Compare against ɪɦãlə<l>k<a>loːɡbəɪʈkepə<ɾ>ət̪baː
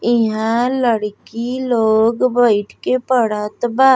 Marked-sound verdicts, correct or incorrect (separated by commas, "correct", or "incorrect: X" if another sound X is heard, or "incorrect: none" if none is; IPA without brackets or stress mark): incorrect: ɽ, incorrect: i, incorrect: ɽ